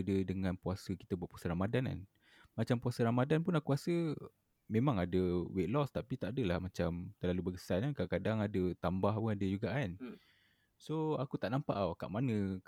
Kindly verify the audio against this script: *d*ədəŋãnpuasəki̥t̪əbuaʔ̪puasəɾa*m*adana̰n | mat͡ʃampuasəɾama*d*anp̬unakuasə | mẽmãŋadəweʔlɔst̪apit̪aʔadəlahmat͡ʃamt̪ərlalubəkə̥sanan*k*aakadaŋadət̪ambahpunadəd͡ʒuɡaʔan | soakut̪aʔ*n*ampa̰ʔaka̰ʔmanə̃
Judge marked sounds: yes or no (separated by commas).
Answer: yes, yes, yes, yes, yes